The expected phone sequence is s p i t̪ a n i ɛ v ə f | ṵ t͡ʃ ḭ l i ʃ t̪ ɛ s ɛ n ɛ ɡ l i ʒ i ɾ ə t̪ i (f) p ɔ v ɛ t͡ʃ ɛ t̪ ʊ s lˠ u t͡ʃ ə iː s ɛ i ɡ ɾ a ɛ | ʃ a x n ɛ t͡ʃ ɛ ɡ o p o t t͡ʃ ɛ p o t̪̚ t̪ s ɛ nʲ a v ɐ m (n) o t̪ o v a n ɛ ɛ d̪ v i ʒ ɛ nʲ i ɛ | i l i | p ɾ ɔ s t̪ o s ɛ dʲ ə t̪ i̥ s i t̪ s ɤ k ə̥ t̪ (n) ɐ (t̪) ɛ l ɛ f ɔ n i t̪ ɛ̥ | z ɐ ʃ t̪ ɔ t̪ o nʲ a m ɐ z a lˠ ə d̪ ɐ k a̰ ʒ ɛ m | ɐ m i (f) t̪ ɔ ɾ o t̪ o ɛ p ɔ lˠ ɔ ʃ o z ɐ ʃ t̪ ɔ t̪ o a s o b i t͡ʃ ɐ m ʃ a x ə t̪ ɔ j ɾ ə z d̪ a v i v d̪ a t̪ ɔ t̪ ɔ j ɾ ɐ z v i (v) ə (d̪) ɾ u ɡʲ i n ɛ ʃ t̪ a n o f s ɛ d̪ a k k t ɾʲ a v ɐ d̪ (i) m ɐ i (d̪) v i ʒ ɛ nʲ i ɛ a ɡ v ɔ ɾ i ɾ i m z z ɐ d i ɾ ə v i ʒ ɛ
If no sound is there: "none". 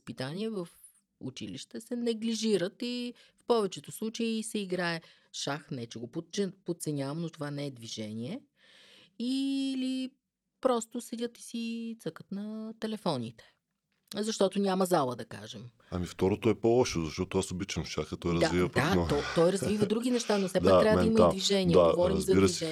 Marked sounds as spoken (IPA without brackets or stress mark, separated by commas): f, n, n, t̪, f, v, d̪, i, d̪